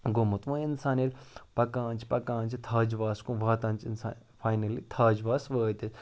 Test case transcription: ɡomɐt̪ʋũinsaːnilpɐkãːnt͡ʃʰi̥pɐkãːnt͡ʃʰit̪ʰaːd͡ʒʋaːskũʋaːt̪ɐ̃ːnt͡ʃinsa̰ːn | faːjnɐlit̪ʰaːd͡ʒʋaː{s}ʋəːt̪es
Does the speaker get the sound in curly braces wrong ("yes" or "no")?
no